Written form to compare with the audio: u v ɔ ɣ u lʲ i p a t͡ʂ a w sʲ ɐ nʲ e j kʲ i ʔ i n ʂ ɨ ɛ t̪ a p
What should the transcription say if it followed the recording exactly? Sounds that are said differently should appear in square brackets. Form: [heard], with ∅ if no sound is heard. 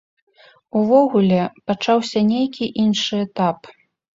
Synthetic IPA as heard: u v ɔ ɣ u lʲ [ɛ] p a t͡ʂ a w sʲ ɐ nʲ e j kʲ i ʔ i n ʂ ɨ ɛ t̪ a p